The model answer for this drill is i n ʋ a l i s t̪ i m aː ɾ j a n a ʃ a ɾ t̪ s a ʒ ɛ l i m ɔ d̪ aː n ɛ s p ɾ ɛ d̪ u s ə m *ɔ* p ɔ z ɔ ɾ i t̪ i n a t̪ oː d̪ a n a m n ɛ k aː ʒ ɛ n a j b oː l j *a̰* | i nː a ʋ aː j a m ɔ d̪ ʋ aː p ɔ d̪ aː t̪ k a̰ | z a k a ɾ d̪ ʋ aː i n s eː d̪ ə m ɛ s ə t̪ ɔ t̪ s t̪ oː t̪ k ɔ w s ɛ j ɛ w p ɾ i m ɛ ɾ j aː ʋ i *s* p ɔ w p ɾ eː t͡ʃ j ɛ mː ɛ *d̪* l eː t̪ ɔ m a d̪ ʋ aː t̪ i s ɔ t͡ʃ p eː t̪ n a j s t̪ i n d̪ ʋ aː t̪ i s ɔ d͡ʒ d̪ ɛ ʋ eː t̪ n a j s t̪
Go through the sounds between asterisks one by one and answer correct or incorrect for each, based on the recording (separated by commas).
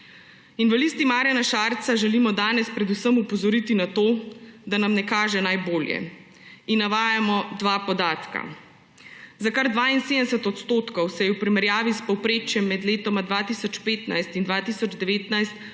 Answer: incorrect, incorrect, correct, correct